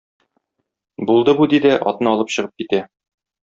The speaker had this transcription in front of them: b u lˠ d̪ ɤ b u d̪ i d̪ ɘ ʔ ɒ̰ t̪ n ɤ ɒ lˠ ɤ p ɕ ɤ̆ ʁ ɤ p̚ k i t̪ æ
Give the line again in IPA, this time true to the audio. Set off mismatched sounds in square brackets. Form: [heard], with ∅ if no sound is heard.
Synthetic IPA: b u lˠ d̪ ɤ b u d̪ i d̪ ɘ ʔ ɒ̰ t̪ n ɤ ɒ lˠ ɤ p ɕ ɤ̆ ʁ ɤ p̚ k i t̪ æ